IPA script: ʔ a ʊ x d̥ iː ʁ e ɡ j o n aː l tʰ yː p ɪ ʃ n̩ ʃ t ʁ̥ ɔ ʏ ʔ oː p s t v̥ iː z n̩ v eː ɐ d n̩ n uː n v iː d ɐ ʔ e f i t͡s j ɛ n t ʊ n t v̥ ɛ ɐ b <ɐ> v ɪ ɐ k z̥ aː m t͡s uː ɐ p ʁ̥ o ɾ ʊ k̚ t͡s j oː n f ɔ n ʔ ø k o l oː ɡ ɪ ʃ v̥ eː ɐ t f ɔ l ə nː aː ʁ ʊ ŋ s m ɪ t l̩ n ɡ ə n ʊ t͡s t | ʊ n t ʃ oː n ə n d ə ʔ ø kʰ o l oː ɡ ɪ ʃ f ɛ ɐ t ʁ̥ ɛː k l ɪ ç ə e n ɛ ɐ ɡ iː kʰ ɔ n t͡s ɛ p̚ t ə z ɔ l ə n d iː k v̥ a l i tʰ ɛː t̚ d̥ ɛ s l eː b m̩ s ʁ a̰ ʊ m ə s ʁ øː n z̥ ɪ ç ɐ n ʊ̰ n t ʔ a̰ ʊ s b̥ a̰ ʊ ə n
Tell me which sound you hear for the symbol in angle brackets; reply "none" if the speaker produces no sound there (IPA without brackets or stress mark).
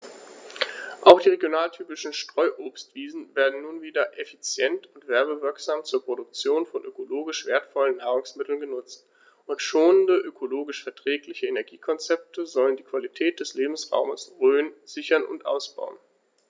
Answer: ə